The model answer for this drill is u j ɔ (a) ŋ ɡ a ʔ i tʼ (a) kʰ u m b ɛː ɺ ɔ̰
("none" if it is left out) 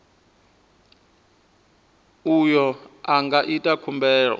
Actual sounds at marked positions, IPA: a, a

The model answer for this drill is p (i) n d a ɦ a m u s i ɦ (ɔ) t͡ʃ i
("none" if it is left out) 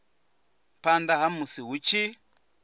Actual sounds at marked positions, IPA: a, u

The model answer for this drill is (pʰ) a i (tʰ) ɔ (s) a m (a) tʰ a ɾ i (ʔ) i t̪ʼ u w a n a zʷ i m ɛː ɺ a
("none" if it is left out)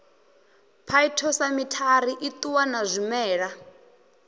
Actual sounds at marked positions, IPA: pʰ, tʰ, s, i, ʔ

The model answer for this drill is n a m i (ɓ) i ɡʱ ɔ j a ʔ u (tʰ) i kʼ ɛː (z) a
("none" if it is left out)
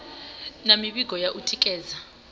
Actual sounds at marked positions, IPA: ɓ, tʰ, z

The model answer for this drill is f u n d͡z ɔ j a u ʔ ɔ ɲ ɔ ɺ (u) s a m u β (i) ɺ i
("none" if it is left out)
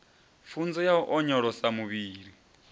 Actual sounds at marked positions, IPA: ɔ, iː

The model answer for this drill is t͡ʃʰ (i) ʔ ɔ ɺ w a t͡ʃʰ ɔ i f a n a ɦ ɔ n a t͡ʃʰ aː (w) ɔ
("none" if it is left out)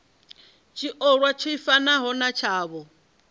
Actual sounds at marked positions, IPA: i, β

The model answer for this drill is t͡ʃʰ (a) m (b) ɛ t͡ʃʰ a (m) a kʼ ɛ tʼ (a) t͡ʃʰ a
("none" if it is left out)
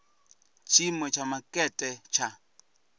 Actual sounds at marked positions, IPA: i, w, m, ɛ

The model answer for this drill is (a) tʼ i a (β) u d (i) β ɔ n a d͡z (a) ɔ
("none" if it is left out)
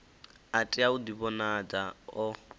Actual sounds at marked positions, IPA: a, none, i, a

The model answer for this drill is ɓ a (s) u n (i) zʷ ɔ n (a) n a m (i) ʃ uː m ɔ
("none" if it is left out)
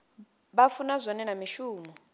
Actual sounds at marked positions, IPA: f, a, ɛ, i

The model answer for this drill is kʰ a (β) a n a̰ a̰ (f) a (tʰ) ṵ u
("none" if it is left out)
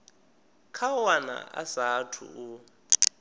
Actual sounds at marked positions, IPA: w, s, tʰ

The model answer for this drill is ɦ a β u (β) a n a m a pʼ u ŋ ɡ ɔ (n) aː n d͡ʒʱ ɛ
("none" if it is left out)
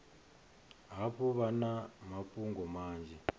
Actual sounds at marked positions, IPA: β, m

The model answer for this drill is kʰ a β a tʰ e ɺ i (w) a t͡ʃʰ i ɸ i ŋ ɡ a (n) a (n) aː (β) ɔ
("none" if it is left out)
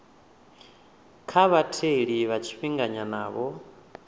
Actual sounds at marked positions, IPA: β, ɲ, n, β

